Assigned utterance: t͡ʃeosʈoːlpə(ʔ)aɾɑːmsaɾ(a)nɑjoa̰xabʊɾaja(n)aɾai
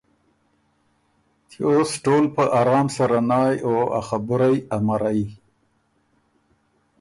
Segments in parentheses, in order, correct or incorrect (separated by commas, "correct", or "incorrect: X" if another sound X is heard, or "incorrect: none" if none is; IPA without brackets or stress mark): correct, correct, incorrect: m